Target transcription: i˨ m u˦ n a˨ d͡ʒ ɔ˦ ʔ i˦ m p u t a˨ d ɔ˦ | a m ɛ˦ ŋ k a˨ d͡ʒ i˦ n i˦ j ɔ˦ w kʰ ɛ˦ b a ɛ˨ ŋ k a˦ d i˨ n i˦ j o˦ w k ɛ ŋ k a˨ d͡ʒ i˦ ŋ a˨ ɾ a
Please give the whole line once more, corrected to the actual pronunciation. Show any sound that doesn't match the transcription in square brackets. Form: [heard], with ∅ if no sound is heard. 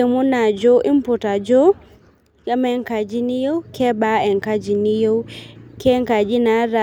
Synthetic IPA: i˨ m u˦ n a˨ d͡ʒ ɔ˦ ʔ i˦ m p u t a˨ [d͡ʒ] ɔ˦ | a m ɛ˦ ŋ k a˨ d͡ʒ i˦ n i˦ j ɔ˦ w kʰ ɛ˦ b a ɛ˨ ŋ k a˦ [d͡ʒ] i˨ n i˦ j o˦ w k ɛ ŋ k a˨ d͡ʒ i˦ [n] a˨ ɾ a